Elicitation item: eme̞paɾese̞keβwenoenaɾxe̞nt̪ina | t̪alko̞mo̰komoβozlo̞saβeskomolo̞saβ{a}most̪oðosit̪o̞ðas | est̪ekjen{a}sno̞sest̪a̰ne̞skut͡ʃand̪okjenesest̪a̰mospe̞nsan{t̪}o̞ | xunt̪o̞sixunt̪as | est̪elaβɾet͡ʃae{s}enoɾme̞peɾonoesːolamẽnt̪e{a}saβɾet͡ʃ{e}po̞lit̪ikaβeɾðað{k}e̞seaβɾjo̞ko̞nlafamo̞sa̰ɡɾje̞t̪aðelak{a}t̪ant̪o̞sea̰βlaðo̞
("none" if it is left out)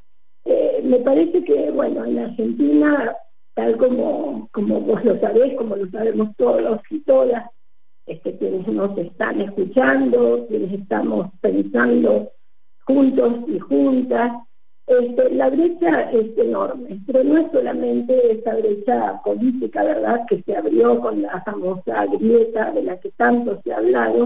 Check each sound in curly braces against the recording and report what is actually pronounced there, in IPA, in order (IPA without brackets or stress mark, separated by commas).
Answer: e, e, d̪, s, e, a, k, e